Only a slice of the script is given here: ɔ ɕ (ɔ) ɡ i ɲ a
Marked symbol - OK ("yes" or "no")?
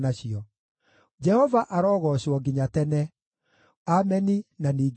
yes